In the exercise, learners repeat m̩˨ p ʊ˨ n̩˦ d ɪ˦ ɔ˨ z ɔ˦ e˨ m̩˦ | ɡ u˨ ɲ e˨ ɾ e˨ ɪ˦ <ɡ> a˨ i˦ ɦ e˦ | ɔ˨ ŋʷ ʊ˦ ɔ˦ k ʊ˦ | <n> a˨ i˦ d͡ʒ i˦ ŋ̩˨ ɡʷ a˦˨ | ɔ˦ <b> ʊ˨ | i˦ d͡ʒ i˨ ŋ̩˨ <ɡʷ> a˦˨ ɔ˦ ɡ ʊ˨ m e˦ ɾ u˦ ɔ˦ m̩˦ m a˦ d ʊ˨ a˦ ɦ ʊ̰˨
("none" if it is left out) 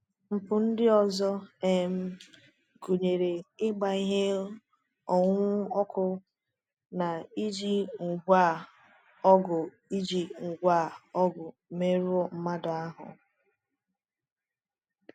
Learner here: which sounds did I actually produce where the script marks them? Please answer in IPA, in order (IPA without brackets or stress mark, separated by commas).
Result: ɡ͡b, n, ɡ, ɡʷ